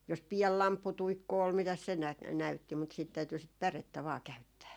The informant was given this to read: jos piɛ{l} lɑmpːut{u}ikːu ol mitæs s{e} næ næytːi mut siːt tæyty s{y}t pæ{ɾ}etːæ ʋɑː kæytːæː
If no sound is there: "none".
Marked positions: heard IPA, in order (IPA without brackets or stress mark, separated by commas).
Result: l, u, e, i, r